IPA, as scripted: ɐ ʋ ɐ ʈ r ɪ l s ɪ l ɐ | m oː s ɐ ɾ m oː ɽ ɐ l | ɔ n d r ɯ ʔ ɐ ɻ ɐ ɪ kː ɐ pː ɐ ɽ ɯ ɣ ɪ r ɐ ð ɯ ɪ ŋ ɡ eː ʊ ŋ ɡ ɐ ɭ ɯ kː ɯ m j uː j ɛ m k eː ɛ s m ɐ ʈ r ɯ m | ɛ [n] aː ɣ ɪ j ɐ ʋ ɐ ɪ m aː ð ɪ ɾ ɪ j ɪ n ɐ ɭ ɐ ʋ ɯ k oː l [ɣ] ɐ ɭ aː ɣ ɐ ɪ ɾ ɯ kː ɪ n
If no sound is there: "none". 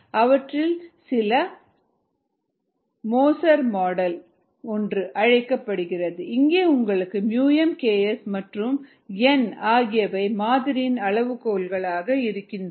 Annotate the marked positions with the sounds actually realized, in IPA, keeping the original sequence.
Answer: n, ɣ

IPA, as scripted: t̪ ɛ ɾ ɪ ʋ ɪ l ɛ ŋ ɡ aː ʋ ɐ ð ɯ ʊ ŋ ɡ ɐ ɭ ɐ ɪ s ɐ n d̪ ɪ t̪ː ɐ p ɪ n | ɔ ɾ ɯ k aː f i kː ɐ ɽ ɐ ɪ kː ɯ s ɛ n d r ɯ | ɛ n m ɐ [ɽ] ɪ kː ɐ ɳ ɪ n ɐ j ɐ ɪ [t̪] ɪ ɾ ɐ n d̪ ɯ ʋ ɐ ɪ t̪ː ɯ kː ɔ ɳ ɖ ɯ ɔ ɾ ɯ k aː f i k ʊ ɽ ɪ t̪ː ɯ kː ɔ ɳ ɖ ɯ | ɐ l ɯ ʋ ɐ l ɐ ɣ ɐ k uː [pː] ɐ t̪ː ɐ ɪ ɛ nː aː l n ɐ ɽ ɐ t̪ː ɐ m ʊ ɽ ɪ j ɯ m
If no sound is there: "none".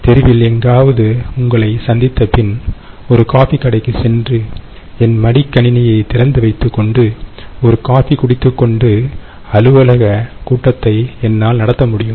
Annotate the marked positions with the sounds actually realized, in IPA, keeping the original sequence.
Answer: ɽ, t̪, ʈː

